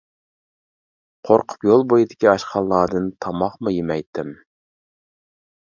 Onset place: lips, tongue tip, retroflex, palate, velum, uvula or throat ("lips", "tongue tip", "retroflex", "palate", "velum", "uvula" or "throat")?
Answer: uvula